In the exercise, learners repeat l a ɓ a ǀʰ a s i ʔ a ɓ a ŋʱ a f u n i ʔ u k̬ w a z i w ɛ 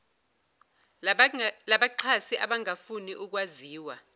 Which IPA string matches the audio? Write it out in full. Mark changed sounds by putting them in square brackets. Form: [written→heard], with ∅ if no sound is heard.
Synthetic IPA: l a ɓ a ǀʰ a s i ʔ a ɓ a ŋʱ a f u n i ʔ u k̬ w a z [i→iː] w [ɛ→a]